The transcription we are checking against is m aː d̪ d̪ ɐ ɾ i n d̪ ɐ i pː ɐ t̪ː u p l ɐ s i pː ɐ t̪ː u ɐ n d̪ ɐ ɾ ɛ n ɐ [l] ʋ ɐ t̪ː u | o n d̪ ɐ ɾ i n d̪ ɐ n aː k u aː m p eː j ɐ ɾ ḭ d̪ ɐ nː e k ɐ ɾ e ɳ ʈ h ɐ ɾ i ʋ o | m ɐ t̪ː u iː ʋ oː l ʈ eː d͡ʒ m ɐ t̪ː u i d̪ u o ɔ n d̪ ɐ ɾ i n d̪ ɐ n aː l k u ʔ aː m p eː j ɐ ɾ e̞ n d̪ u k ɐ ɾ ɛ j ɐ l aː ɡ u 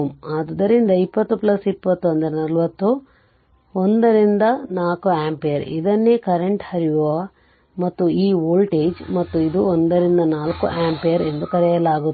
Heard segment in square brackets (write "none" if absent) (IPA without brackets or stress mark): l